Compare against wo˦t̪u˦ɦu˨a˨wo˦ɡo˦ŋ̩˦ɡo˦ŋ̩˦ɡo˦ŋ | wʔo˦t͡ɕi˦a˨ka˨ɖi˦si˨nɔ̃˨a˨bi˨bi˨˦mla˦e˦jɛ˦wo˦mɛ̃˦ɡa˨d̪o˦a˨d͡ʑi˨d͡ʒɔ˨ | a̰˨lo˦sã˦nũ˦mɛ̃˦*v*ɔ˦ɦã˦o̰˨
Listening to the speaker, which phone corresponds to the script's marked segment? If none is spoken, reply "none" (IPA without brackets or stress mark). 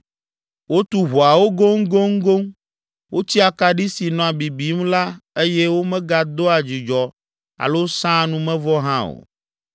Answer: v